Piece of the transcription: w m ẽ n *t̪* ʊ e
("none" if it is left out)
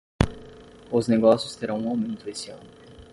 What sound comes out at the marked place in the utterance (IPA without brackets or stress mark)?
t̪